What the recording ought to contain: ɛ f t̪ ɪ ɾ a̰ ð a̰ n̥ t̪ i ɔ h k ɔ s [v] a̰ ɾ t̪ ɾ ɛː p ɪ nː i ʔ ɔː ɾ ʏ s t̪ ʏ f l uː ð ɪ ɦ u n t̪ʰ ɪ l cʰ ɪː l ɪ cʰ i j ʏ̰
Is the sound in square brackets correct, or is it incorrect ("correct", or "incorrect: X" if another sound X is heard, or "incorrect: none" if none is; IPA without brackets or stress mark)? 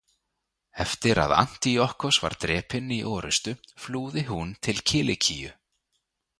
correct